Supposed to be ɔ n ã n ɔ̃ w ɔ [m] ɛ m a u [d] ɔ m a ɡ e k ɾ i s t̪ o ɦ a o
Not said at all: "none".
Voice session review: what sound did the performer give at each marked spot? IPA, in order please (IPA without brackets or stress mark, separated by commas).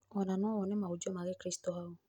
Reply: n, d͡ʒ